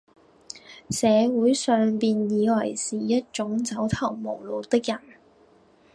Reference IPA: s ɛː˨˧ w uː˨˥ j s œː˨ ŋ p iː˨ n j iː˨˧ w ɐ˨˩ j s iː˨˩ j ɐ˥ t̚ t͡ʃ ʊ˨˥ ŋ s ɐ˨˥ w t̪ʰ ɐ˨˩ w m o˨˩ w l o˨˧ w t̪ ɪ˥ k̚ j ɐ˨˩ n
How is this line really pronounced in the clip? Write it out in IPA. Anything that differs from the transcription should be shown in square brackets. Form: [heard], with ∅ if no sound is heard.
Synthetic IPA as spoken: s ɛː˨˧ w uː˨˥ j s œː˨ ŋ p iː˨ n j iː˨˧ w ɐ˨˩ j s iː˨˩ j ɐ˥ t̚ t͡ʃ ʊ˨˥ ŋ [t͡s] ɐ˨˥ w t̪ʰ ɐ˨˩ w m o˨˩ w l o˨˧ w t̪ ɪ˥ k̚ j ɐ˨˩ n